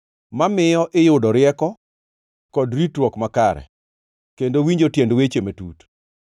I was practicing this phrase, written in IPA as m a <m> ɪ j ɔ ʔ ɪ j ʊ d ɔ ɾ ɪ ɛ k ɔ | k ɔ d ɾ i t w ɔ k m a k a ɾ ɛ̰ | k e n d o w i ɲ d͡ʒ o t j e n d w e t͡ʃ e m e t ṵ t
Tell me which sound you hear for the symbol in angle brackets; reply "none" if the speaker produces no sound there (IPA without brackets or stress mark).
m